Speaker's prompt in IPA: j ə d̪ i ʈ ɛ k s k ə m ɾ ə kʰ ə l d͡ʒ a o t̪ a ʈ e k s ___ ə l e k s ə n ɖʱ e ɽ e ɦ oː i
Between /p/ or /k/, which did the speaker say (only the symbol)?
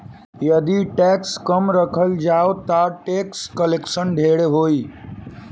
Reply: k